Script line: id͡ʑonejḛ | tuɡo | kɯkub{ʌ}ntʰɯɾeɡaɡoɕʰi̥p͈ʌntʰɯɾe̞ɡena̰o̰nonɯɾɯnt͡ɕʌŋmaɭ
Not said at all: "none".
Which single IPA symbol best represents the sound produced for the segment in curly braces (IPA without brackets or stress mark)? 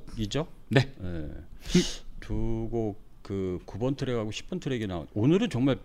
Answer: ʌ